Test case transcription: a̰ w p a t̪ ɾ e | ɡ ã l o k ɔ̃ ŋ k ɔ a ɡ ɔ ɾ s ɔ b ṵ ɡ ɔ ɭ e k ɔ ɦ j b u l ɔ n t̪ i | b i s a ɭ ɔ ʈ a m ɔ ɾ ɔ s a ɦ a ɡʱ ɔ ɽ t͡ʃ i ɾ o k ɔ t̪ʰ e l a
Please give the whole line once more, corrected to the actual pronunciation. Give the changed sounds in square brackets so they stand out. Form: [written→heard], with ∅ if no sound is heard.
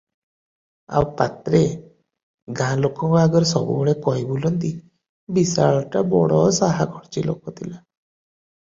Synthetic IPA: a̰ w p a t̪ ɾ e | ɡ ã l o k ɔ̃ ŋ k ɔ a ɡ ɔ ɾ s ɔ b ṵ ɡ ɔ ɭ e k ɔ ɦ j b u l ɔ n t̪ i | b i s a ɭ ɔ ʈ a [m→b] ɔ [ɾ→ɽ] ɔ s a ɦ a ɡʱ ɔ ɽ t͡ʃ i [ɾ→l] o k ɔ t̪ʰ [e→i] l a